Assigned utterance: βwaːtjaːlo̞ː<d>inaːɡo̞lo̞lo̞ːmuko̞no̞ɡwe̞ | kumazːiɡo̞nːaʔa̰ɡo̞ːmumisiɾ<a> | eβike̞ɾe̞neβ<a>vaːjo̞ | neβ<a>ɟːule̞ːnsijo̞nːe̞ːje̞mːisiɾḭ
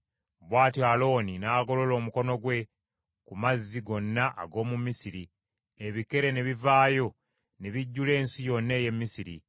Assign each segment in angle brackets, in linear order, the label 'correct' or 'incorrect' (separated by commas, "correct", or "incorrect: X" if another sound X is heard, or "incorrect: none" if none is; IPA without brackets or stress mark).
incorrect: n, incorrect: i, incorrect: i, incorrect: i